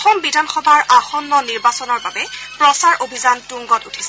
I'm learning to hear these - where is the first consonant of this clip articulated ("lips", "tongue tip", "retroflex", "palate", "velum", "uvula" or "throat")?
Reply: velum